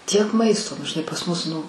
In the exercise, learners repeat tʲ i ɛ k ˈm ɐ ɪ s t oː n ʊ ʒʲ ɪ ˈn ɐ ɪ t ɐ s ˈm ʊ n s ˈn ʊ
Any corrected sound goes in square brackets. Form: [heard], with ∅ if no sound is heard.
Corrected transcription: tʲ i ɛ k ˈm ɐ ɪ s t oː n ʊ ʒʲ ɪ ˈn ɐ ɪ [p] ɐ s ˈm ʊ [∅] s ˈn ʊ